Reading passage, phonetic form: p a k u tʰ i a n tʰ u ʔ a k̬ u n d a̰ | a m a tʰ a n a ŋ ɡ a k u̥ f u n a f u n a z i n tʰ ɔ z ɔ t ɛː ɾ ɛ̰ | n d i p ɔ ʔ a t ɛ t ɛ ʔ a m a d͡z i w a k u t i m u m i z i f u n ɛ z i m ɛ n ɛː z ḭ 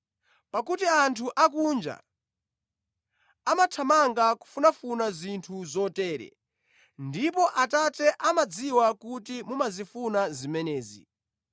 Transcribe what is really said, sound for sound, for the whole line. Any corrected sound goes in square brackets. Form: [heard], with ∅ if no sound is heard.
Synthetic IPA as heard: p a k u [t] i a n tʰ u ʔ a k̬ u n [d͡ʒ] a̰ | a m a tʰ a [m] a ŋ ɡ a k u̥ f u n a f u n a z i n tʰ [u] z ɔ t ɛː ɾ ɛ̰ | n d i p ɔ ʔ a t [a] t ɛ ʔ a m a d͡z i w a k u t i m u m [a] z i f u n [a] z i m ɛ n ɛː z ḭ